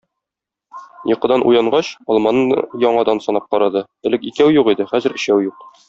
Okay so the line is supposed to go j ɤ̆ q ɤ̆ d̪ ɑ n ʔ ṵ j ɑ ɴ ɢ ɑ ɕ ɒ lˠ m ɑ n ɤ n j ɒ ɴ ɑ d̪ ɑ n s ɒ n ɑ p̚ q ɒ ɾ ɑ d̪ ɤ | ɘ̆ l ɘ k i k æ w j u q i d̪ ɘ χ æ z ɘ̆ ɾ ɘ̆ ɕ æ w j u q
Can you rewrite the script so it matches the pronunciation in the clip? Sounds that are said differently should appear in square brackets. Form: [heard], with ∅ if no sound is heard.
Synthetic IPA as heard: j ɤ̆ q ɤ̆ d̪ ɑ n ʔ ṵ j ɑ ɴ ɢ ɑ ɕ ɒ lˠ m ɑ n ɤ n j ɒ ɴ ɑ d̪ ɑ n s ɒ n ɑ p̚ q ɒ ɾ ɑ d̪ ɤ | ɘ̆ l ɘ k i k æ w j u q i d̪ ɘ χ æ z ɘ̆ ɾ ɘ̆ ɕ æ w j u q